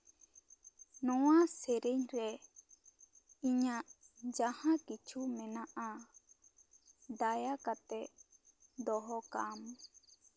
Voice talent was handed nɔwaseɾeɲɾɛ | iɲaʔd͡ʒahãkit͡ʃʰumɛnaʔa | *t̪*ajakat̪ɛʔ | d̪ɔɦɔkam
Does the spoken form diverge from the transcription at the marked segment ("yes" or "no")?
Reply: yes